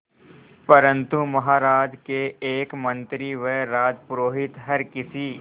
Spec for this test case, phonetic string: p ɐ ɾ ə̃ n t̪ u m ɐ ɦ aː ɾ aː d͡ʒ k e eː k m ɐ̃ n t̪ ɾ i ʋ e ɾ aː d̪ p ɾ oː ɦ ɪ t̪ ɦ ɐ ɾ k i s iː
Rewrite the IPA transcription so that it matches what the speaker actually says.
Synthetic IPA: p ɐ ɾ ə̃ n t̪ u m ɐ ɦ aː ɾ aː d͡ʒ k e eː k m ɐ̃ n t̪ ɾ i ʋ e ɾ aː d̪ p ɾ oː ɦ ɪ t̪ ɦ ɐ ɾ k ɪ s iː